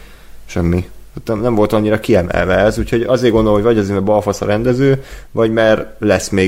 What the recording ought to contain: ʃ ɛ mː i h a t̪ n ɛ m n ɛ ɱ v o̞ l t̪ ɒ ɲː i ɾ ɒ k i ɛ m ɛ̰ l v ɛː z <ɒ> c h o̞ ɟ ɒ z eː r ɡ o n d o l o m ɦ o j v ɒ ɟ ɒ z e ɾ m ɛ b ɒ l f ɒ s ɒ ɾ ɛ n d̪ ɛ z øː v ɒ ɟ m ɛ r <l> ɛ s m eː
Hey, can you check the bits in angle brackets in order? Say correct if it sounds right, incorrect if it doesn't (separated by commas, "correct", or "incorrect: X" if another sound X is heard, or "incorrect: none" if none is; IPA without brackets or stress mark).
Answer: incorrect: u, correct